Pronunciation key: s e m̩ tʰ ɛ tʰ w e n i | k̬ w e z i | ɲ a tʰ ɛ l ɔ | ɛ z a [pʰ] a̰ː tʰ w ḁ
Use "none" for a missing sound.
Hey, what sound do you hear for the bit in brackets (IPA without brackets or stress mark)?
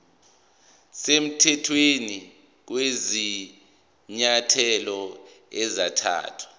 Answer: tʰ